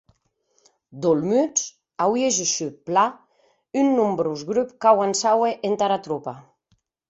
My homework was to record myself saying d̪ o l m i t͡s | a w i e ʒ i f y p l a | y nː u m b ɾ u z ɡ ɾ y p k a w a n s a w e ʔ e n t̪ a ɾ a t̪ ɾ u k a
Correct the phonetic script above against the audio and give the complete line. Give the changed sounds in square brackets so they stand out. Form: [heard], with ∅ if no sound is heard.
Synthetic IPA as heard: d̪ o l m [y] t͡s | a w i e ʒ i [ʃ] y p l a | y nː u m b ɾ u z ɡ ɾ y p k a w a n s a w e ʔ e n t̪ a ɾ a t̪ ɾ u [p] a